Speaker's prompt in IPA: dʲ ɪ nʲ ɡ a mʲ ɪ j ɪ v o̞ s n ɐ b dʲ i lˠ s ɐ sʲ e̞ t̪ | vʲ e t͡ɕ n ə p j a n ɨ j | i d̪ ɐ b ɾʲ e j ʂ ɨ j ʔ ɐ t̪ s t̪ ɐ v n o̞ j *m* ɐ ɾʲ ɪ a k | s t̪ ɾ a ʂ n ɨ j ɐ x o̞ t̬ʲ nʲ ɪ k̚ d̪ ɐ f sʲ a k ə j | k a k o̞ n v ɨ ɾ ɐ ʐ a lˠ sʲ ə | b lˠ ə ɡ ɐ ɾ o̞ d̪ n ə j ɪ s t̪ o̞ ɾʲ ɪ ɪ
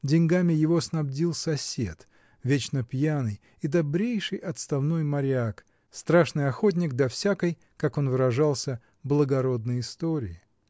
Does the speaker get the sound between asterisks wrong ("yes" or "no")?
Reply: no